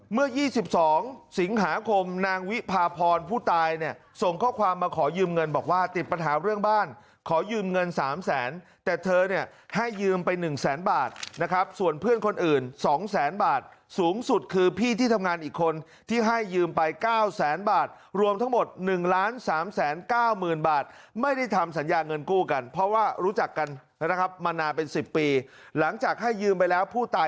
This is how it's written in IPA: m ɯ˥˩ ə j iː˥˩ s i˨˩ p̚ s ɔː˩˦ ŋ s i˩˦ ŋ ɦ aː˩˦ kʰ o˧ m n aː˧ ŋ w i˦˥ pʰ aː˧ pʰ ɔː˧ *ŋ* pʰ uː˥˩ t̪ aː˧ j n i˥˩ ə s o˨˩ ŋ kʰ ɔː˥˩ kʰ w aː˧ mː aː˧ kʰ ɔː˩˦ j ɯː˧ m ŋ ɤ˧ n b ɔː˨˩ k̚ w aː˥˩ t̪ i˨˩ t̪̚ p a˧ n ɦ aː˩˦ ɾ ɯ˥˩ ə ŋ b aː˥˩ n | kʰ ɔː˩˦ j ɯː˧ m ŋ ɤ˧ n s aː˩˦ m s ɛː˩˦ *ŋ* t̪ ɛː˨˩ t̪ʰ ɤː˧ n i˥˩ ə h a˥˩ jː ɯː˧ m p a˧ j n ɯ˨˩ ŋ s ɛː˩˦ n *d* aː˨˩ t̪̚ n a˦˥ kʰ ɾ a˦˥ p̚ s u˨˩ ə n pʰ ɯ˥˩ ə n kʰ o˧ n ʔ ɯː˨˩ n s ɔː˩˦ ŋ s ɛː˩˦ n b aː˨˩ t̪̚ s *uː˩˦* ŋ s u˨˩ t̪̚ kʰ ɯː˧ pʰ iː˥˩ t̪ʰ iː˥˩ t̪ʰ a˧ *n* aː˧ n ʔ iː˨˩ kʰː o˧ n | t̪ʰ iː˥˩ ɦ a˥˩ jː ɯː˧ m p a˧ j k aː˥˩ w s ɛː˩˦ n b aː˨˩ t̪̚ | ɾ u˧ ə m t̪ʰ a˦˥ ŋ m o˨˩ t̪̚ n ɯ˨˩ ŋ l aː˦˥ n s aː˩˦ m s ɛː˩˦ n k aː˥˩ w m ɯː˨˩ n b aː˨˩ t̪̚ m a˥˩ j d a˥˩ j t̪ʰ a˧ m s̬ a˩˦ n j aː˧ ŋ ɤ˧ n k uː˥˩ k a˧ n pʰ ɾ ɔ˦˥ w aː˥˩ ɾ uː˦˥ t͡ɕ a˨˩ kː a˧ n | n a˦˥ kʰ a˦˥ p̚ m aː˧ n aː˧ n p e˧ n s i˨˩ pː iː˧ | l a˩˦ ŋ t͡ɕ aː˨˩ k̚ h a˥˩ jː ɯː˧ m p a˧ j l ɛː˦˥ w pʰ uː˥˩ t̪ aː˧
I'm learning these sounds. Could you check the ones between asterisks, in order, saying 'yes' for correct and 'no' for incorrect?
no, no, no, yes, no

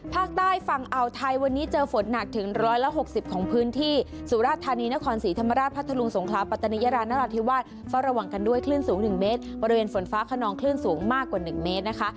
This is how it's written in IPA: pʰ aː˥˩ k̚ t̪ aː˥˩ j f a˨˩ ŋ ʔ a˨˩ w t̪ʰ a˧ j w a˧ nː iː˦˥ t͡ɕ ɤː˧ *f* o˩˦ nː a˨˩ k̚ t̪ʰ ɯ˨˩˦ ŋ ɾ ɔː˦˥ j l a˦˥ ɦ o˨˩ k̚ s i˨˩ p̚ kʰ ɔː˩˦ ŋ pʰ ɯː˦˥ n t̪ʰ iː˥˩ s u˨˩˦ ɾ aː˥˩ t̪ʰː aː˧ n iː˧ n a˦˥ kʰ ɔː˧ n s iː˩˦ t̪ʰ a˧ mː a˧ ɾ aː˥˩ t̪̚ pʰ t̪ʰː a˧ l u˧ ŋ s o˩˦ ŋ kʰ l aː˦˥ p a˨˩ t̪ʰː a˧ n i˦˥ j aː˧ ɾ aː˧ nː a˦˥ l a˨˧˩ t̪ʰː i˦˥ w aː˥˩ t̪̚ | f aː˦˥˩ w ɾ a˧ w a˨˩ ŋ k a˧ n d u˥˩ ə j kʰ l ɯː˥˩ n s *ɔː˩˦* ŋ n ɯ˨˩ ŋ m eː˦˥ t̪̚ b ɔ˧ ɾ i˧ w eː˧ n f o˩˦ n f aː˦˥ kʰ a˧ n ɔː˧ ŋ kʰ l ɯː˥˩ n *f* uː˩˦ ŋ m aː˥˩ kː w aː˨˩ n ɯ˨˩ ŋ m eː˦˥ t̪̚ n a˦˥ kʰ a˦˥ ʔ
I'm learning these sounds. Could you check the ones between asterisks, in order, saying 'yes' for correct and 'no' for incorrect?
yes, no, no

